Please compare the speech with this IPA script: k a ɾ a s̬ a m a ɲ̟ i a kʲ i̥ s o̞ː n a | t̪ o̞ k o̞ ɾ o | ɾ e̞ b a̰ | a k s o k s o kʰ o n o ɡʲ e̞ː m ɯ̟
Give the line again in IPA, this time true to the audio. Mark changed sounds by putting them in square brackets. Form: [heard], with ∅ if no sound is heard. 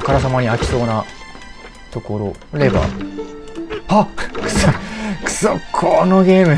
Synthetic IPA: k a ɾ a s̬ a m a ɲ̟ i a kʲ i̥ s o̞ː n a | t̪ o̞ k o̞ ɾ o | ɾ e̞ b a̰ | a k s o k s o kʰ o n o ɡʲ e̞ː m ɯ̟